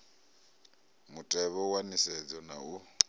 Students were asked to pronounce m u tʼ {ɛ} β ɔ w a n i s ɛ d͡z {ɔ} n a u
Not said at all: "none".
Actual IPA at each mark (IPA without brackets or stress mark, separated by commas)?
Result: ɛ, ɔ